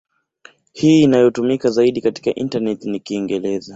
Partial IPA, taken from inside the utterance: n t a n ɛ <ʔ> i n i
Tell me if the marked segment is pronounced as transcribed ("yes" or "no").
no